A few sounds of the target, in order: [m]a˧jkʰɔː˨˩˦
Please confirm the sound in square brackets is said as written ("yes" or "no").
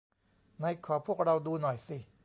no